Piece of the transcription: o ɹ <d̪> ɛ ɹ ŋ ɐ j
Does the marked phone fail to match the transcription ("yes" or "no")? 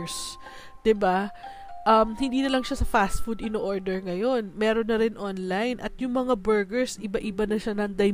no